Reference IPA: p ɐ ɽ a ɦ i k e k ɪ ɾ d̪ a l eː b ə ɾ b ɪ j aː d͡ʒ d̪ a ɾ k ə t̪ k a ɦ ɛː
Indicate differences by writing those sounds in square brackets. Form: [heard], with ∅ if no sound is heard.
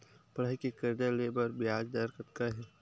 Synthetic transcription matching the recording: p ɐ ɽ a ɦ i k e k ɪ ɾ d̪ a l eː b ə ɾ b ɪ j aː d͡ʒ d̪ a ɾ k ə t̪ k a ɦ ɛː